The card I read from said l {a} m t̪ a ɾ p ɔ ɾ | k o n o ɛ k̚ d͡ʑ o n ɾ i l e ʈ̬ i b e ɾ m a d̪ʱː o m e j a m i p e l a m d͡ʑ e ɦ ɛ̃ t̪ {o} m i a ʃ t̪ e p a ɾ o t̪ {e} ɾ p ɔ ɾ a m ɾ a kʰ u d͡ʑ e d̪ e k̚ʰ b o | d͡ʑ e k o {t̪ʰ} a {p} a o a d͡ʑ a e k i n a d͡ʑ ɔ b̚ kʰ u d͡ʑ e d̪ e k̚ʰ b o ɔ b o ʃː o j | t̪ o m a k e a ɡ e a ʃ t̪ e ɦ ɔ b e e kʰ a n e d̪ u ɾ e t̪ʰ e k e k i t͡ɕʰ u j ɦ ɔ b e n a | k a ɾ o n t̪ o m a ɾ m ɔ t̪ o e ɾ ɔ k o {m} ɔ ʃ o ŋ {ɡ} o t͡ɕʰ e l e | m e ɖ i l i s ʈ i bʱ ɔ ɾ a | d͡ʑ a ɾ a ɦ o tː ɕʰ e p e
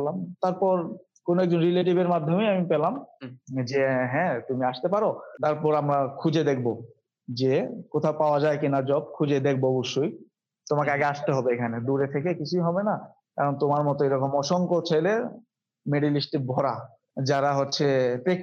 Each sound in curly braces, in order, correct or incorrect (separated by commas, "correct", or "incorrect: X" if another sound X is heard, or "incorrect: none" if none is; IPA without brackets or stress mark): correct, incorrect: u, incorrect: a, correct, correct, correct, incorrect: k